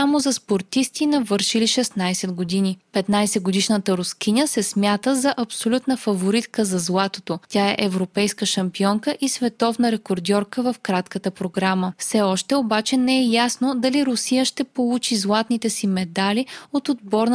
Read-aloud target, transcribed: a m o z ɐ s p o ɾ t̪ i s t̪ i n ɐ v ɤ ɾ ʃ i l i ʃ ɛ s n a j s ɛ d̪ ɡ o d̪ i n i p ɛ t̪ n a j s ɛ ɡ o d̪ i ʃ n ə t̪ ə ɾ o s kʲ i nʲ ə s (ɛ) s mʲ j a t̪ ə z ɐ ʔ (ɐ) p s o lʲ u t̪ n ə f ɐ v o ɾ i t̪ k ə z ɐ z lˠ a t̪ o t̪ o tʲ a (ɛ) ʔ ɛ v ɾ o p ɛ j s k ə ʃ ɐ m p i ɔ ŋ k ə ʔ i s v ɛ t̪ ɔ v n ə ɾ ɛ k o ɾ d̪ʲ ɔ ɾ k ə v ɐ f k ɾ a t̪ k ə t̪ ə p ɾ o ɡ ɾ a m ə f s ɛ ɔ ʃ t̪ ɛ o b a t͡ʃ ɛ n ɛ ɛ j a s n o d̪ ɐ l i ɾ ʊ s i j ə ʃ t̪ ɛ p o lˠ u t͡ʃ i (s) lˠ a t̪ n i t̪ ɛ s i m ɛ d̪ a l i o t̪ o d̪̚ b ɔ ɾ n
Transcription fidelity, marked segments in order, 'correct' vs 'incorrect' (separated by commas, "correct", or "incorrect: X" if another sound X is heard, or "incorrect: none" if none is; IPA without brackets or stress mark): correct, correct, correct, incorrect: z